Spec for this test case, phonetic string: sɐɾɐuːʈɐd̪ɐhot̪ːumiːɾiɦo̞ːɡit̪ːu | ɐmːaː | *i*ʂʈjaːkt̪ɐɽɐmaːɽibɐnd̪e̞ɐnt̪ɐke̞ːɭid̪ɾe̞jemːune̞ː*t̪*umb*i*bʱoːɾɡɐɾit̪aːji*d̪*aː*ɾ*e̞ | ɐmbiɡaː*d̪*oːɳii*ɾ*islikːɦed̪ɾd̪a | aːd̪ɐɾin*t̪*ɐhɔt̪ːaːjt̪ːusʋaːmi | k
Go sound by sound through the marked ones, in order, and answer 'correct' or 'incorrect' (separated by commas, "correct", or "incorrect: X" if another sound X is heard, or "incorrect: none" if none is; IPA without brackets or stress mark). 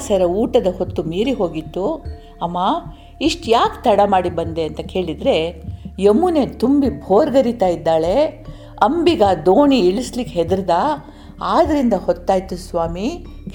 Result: correct, correct, correct, incorrect: d̪ː, incorrect: ɭ, correct, incorrect: ɭ, incorrect: d̪